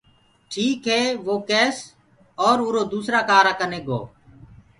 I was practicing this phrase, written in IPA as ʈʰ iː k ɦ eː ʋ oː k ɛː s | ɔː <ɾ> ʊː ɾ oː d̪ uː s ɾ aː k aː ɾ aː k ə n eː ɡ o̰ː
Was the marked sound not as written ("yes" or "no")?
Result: no